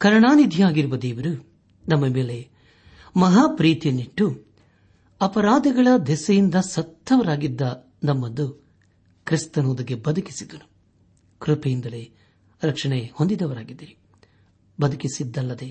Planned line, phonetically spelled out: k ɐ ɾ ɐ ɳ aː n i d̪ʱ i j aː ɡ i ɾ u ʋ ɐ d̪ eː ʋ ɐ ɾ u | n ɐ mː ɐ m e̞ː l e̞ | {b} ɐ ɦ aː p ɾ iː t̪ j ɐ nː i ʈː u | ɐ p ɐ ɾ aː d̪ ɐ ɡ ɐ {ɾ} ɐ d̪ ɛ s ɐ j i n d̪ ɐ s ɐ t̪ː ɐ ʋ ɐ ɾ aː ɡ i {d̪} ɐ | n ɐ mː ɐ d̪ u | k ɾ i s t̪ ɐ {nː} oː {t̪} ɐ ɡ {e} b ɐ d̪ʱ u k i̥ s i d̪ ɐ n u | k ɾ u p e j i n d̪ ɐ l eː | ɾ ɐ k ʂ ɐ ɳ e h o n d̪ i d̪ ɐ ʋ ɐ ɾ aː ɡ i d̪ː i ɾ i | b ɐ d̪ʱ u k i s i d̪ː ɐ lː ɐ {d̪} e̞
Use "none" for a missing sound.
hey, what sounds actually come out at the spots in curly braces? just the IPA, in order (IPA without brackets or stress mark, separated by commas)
m, ɭ, d̪ː, n, d̪, e, d̪